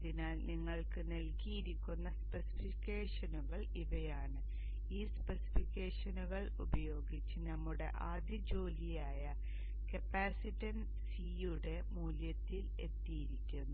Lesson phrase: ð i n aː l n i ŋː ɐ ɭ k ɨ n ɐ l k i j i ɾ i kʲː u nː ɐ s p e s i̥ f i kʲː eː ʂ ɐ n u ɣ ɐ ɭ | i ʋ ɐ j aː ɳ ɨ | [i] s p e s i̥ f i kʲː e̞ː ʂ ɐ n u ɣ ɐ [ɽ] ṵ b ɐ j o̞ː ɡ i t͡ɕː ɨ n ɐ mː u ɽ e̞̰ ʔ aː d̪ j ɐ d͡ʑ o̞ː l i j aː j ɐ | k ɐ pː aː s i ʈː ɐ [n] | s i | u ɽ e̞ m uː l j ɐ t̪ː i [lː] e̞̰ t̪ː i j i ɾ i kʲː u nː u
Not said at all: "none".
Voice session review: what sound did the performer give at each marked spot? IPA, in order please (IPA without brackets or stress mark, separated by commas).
iː, ɭ, n, l